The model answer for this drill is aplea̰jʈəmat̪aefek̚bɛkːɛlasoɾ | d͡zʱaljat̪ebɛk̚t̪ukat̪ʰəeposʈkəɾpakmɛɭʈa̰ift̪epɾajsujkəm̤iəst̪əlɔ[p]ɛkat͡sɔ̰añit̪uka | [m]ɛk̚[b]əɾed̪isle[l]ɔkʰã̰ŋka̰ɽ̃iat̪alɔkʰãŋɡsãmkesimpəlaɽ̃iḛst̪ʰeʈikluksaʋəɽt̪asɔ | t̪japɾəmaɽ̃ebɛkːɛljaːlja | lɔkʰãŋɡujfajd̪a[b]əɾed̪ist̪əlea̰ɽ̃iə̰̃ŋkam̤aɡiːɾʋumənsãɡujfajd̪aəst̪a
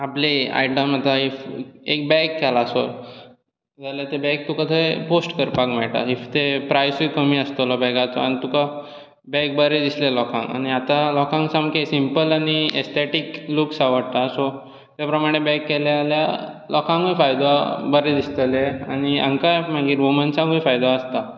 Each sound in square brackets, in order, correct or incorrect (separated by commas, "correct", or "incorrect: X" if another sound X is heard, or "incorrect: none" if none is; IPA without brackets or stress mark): incorrect: b, incorrect: b, correct, correct, correct